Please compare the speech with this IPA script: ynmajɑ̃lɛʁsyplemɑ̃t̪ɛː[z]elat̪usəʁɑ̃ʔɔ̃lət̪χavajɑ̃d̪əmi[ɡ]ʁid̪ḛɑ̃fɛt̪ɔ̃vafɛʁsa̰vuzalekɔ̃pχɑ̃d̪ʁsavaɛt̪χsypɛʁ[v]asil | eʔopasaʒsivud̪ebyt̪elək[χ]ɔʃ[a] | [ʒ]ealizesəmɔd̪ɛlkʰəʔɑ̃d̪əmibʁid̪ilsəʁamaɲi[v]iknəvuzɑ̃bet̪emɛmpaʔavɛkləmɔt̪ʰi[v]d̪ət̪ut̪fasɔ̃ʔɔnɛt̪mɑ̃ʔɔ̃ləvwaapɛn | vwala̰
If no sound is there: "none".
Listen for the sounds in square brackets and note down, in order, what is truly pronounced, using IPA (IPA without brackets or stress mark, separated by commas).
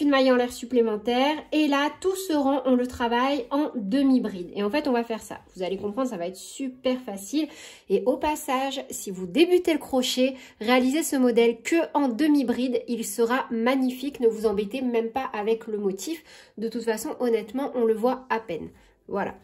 ʁ, b, f, χ, e, ʁ, f, f